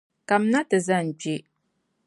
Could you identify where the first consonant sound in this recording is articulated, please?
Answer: velar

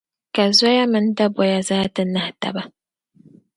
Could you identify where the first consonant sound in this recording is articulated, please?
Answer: velar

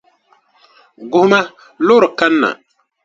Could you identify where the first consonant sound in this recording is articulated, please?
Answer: velar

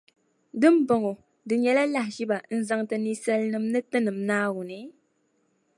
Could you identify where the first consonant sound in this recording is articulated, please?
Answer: alveolar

